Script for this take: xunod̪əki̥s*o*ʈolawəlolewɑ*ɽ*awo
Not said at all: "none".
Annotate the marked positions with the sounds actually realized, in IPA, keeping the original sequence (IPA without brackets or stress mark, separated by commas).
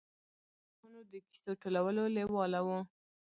o, l